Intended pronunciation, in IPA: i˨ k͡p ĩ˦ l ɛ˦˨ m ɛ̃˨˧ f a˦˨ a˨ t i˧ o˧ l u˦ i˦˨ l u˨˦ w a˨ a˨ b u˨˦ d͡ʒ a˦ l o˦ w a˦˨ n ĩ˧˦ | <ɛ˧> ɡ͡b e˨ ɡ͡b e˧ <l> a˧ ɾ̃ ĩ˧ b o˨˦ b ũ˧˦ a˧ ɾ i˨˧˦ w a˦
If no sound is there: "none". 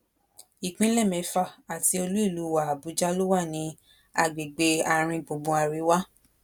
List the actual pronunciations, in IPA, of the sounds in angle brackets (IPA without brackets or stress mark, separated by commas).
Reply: a˧, none